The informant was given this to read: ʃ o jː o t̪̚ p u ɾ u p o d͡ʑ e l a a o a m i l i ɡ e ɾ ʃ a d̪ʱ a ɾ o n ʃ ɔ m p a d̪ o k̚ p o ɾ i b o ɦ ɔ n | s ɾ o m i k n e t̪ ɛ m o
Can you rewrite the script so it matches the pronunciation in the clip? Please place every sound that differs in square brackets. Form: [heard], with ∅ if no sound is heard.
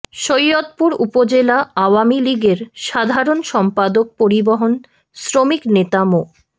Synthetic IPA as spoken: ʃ o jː o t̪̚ p u ɾ u p o d͡ʑ e l a a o a m i l i ɡ e ɾ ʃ a d̪ʱ a ɾ o n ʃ ɔ m p a d̪ o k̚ p o ɾ i b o ɦ [o] n | s ɾ o m i k n e t̪ [a] m o